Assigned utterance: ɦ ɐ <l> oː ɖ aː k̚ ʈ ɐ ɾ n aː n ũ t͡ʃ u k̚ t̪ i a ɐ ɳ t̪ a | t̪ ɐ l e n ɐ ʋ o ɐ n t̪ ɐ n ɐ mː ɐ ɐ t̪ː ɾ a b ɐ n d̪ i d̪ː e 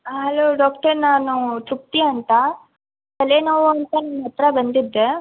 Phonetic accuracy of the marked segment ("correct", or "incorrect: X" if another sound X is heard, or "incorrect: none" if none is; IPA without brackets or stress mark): correct